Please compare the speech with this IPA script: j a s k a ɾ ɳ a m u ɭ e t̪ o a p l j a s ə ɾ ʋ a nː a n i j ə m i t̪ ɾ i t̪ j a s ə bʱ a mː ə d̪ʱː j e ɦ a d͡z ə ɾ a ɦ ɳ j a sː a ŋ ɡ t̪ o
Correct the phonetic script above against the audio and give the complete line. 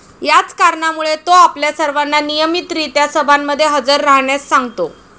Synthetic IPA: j a t͡s k a ɾ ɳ a m u ɭ e t̪ o a p l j a s ə ɾ ʋ a nː a n i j ə m i t̪ ɾ i t̪ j a s ə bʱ a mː ə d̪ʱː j e ɦ ə d͡z ə ɾː a ɦ ɳ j a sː a ŋ ɡ t̪ o

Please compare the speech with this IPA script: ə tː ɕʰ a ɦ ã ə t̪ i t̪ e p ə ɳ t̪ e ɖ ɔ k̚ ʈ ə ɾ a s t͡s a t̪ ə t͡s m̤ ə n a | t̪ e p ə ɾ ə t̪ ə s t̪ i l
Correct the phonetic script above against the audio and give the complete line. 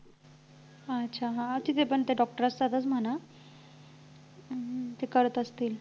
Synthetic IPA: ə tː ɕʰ a ɦ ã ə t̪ i t̪ e p ə ɳ t̪ e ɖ ɔ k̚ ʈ ə ɾ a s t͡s a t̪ ə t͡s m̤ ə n a | t̪ e k ə ɾ ə t̪ ə s t̪ iː l

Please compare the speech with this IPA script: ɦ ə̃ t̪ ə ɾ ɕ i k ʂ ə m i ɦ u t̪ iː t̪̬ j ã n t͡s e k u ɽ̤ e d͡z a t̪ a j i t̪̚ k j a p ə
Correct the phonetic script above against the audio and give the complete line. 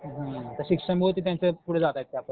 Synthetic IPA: ɦ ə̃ t̪ ə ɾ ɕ i k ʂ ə m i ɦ o t̪ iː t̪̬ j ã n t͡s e p u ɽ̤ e d͡z a t̪ a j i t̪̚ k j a p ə

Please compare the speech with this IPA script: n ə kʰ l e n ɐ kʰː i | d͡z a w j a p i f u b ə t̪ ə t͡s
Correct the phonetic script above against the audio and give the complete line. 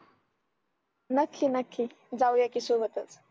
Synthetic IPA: n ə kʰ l i n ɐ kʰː i | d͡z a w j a k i s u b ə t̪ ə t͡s

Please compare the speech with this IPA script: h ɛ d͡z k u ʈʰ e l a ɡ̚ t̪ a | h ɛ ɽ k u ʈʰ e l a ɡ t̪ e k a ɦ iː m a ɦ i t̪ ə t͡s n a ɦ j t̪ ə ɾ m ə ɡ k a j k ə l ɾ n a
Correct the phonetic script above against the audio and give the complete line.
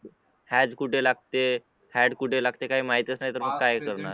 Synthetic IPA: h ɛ d͡z k u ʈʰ e l a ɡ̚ t̪ e | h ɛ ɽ k u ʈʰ e l a ɡ t̪ e k a ɦ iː m a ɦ i t̪ ə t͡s n a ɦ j t̪ ə ɾ m ə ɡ k a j k ə ɾ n a

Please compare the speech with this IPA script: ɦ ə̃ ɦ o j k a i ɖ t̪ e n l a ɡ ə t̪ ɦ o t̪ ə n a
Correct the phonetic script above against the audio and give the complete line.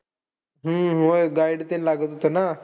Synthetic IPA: ɦ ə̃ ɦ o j ɡ a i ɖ t̪ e n l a ɡ ə t̪ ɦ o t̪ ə n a

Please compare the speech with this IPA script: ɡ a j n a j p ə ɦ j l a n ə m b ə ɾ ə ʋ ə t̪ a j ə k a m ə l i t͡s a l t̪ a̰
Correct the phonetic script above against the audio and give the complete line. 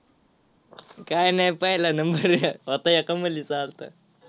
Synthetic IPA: k a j n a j p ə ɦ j l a n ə m b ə ɾ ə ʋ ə t̪ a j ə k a m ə l i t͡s a l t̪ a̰

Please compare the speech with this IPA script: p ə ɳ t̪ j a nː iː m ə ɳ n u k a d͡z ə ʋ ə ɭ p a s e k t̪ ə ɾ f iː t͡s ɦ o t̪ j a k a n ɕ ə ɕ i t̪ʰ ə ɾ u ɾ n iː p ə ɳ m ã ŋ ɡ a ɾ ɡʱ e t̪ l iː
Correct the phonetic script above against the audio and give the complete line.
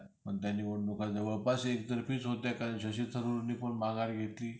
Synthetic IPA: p ə ɳ t̪ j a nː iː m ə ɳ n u k a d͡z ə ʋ ə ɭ p a s e k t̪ ə ɾ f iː t͡s ɦ o t̪ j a k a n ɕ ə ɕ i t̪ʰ ə ɾ u ɾ n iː p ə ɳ m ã ŋ ɡ a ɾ ɡʱ e t̪ l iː

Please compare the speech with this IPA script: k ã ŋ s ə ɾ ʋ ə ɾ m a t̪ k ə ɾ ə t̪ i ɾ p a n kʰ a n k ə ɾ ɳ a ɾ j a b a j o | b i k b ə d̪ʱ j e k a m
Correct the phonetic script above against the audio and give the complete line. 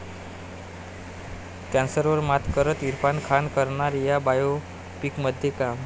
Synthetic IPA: k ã n s ə ɾ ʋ ə ɾ m a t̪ k ə ɾ ə t̪ i ɾ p a n kʰ a n k ə ɾ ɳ a ɾ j a b a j o | p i k m ə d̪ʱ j e k a m

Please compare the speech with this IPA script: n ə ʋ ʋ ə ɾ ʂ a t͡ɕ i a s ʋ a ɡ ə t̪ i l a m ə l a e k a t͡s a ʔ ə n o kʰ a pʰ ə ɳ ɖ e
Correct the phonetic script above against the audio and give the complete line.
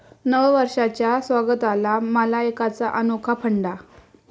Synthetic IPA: n ə ʋ ʋ ə ɾ ʂ a t͡ɕ j a s ʋ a ɡ ə t̪ a l a m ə l a e k a t͡s a ʔ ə n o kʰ a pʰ ə ɳ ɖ a

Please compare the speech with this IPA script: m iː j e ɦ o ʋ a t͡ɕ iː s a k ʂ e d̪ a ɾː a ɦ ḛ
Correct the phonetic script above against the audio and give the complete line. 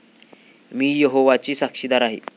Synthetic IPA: m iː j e ɦ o ʋ a t͡ɕ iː s a k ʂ i d̪ a ɾ a ɦ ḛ

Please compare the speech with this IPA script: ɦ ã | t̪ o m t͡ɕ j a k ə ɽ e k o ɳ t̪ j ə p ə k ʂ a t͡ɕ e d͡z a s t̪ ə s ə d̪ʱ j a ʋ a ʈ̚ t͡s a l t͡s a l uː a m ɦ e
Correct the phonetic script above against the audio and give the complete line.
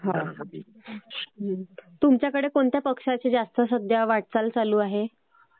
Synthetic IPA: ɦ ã | t̪ u m t͡ɕ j a k ə ɽ e k o ɳ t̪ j a p ə k ʂ a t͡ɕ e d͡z a s t̪ ə s ə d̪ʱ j a ʋ a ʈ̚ t͡s a l t͡s a l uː a ɦ e

